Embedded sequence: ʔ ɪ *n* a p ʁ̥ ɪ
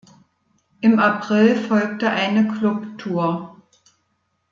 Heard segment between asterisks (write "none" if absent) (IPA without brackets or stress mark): m